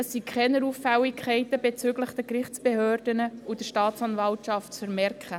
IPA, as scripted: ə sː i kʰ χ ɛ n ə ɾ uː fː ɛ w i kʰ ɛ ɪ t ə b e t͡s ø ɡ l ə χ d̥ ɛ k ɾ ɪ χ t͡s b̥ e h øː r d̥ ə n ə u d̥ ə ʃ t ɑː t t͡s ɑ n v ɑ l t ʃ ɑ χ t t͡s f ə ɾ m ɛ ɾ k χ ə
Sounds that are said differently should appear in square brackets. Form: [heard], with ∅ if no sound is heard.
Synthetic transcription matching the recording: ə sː i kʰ χ ɛ n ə ɾ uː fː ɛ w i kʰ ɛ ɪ t ə b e t͡s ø ɡ l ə χ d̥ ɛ k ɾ ɪ χ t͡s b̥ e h øː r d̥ ə n ə u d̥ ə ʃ t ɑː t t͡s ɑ n v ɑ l t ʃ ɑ [f] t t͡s f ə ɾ m ɛ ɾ k χ ə